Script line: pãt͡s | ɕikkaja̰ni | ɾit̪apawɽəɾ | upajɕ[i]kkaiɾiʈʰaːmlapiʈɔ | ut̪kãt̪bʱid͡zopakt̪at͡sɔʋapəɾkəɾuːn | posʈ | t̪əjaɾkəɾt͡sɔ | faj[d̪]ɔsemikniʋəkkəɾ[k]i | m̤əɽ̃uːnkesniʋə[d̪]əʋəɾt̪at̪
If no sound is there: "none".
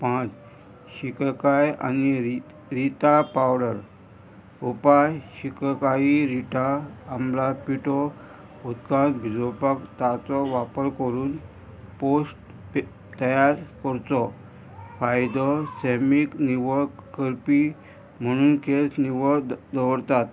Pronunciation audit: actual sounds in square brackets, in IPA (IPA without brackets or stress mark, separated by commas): i, d̪, p, d̪